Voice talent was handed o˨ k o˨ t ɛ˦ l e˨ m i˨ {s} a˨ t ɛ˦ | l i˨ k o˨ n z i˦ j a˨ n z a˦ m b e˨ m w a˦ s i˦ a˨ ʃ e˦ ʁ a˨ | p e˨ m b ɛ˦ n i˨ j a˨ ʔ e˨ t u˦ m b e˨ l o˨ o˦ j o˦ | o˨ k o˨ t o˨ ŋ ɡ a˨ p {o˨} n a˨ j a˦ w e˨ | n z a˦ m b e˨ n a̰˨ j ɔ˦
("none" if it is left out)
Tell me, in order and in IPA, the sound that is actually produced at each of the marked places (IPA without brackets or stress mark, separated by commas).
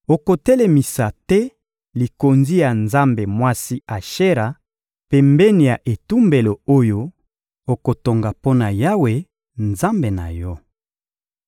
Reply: s, o˦